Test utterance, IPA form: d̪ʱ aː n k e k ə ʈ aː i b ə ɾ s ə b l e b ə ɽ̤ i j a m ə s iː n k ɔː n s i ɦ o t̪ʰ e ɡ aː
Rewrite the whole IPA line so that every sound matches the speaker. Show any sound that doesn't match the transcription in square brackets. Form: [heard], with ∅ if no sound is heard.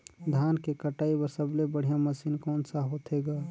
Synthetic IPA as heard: d̪ʱ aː n k e k ə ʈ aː i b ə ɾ s ə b l e b ə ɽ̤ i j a m ə s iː n k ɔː n s [a] ɦ o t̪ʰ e ɡ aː